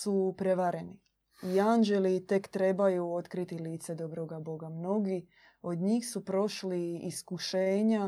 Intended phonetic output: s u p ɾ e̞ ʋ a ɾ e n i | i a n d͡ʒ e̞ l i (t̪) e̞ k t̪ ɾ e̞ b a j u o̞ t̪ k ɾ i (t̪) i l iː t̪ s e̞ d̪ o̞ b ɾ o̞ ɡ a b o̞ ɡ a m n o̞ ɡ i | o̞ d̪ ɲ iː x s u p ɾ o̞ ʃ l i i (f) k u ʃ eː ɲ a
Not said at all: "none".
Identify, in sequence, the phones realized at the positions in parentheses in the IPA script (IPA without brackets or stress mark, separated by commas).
t̪, t̪, s